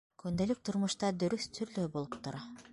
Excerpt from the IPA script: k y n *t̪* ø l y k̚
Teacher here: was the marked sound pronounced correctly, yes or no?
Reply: no